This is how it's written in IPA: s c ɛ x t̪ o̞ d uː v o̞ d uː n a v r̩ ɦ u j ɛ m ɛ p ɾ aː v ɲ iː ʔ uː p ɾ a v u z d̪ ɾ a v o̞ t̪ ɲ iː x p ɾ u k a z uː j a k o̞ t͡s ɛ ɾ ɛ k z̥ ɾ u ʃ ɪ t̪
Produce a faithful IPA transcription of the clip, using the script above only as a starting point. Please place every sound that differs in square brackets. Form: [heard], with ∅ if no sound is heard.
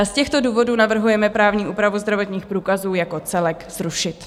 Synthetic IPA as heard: s c ɛ x t̪ o̞ d uː v o̞ d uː n a v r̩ ɦ u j ɛ m ɛ p ɾ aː v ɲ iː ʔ uː p ɾ a v u z d̪ ɾ a v o̞ t̪ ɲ iː x p ɾ [uː] k a z uː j a k o̞ t͡s ɛ [l] ɛ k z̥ ɾ u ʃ ɪ t̪